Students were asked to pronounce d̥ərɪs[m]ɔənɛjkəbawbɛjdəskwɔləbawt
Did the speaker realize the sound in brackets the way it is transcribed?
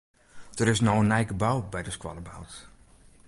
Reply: no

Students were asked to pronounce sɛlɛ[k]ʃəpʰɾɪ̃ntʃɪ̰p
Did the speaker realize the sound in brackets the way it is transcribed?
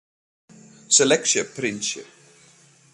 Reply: yes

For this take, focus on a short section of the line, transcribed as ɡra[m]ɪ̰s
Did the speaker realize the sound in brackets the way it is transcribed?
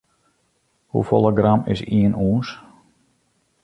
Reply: yes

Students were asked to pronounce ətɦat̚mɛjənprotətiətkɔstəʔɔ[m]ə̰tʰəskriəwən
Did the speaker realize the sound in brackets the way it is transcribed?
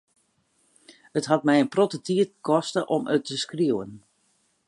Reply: yes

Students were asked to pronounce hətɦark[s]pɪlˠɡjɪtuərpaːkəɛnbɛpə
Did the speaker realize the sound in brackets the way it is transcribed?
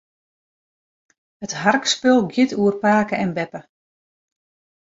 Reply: yes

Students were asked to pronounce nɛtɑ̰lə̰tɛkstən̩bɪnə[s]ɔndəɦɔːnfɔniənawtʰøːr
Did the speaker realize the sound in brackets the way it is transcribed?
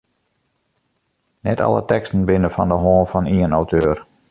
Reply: no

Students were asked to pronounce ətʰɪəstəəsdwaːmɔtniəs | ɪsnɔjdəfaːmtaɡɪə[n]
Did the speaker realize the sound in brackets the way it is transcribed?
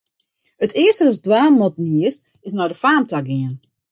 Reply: yes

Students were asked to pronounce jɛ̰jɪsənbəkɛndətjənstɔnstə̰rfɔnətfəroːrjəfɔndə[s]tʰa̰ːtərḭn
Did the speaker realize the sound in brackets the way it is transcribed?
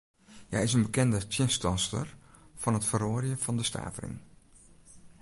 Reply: yes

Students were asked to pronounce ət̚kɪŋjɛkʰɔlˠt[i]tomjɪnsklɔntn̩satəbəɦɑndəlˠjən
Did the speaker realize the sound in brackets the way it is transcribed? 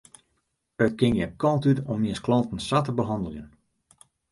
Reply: no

